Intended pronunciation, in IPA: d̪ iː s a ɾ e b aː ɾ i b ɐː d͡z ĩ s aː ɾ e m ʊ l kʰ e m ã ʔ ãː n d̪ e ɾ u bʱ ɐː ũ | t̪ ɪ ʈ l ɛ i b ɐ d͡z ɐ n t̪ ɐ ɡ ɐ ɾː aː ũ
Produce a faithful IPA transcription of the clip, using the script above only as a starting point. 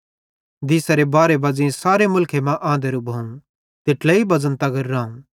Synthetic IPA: d̪ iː s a ɾ e b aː ɾ e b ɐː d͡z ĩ s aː ɾ e m ʊ l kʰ e m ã ʔ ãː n d̪ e ɾ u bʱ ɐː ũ | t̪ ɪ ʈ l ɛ i b ɐ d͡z ə n t̪ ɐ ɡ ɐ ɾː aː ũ